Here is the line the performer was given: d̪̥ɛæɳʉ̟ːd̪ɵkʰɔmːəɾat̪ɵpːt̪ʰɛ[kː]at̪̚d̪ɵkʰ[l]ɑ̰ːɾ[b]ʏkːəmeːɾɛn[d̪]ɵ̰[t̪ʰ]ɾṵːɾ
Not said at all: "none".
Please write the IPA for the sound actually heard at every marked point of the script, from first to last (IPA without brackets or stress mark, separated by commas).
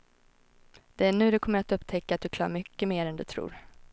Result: kː, l, m, d̪, t̪ʰ